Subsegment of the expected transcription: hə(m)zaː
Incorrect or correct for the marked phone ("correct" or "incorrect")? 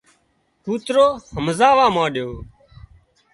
correct